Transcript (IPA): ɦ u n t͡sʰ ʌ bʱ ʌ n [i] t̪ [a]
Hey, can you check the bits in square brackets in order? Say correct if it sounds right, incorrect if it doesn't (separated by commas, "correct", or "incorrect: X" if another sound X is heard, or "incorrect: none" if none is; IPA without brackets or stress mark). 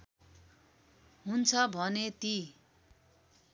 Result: incorrect: e, incorrect: i